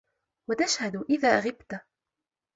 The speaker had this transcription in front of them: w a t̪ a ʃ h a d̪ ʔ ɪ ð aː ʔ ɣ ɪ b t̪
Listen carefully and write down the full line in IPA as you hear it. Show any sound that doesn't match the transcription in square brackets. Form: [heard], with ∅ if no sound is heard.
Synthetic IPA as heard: w a t̪ a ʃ h a d̪ ʔ ɪ ð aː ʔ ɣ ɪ b t̪